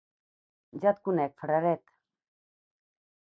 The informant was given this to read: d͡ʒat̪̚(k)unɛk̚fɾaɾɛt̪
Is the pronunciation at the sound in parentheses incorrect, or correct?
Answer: correct